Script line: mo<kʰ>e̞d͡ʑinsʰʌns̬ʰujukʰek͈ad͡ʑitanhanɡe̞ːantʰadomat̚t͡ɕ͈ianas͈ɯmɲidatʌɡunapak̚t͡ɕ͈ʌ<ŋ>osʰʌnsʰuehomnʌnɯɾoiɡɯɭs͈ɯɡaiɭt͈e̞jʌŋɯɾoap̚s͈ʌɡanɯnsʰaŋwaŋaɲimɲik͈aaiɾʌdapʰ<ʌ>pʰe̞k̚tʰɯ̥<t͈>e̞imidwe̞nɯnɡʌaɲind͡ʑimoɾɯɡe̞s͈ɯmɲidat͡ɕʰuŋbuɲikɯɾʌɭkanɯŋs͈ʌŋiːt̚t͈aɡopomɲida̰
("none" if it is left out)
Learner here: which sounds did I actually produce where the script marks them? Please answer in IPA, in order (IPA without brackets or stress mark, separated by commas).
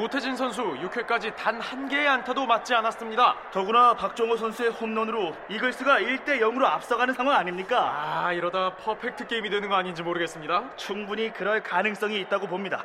tʰ, ŋ, ʌ, k͈